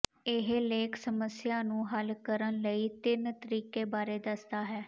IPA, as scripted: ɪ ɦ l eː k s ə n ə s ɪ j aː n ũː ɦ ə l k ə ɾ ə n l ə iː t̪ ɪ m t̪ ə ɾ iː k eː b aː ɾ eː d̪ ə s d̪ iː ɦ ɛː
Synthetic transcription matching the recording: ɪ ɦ l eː k s ə m ə s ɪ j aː n ũː ɦ ə l k ə ɾ ə n l ə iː t̪ ɪ n t̪ ə ɾ iː k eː b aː ɾ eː d̪ ə s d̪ aː ɦ ɛː